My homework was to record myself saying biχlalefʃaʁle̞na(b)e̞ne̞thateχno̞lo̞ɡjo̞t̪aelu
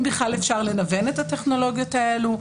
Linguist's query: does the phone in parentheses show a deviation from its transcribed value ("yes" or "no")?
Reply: yes